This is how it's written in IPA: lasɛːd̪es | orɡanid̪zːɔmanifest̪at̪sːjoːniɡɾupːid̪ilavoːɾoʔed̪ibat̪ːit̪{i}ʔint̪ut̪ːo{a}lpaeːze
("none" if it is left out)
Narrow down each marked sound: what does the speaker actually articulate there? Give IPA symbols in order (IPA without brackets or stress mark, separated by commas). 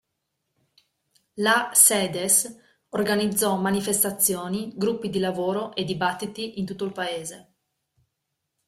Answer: i, i